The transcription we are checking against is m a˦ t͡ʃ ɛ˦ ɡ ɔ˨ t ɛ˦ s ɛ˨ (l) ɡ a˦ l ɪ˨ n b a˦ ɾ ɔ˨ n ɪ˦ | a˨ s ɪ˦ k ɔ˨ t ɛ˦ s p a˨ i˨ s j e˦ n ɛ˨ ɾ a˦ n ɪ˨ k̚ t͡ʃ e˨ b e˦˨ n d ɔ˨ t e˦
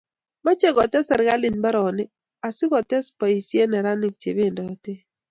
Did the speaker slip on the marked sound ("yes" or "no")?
yes